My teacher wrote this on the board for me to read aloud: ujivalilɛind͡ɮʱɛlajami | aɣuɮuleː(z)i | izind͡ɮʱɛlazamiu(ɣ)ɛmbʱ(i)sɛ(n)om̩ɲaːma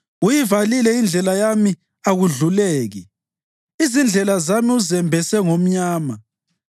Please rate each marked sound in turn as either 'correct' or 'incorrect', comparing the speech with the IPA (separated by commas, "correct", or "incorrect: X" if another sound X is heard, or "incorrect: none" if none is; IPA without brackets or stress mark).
incorrect: ɣ, incorrect: z, incorrect: ɛ, incorrect: ŋ